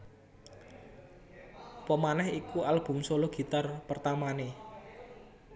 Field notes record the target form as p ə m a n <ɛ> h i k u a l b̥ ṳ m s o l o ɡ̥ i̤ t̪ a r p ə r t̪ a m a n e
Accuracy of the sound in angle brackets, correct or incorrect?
correct